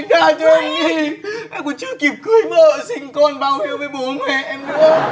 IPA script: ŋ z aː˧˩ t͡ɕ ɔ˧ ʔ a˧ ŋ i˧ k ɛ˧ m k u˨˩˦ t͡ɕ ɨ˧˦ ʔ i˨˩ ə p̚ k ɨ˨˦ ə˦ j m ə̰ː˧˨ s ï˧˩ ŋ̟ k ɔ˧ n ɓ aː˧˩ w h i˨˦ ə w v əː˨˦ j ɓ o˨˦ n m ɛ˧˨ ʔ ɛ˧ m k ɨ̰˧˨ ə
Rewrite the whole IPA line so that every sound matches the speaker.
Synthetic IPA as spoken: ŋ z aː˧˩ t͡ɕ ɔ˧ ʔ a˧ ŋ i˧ ʔ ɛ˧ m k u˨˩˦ t͡ɕ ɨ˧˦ k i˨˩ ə p̚ k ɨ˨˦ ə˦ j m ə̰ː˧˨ s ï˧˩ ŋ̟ k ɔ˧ n ɓ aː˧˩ w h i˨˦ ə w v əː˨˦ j ɓ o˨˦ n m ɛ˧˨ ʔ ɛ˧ m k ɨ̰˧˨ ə